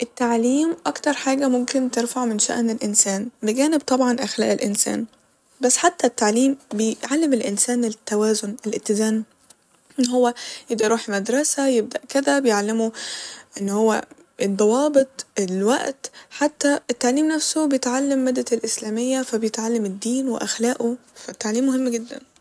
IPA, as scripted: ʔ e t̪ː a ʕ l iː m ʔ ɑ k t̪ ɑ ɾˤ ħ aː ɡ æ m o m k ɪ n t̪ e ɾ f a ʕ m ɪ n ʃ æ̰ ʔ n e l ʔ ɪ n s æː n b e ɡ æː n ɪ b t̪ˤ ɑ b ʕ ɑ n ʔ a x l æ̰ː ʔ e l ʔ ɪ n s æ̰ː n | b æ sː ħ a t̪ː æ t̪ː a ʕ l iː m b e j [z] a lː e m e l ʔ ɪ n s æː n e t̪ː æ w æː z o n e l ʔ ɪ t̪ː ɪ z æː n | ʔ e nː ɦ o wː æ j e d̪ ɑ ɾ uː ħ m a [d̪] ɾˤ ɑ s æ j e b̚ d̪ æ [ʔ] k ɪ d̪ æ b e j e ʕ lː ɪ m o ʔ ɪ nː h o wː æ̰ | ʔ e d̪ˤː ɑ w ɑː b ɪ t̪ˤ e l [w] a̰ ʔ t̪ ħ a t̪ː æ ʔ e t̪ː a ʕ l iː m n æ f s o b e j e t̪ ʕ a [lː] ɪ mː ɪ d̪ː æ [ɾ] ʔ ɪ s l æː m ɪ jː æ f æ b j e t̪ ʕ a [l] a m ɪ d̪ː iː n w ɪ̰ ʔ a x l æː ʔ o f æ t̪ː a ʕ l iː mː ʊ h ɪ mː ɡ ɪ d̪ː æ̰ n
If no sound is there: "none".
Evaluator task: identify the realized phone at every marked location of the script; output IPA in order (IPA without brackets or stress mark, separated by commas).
ʕ, d̪, ʔ, w, lː, l, lː